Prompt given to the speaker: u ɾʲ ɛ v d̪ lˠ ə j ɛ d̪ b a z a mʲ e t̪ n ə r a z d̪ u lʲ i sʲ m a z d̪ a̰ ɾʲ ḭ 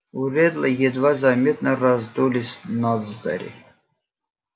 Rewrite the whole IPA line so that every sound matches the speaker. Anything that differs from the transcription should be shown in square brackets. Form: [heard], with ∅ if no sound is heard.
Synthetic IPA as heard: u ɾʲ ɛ [∅] d̪ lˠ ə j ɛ d̪ [v] a z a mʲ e t̪ n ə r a z d̪ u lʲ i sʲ [n] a z d̪ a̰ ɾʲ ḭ